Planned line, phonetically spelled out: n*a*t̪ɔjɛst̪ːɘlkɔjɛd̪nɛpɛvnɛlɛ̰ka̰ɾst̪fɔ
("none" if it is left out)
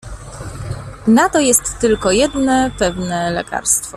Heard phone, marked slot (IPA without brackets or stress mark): a